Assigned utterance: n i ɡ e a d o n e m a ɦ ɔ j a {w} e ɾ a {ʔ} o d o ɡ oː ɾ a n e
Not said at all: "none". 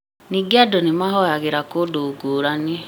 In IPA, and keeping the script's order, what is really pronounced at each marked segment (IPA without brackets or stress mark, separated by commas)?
ɣ, k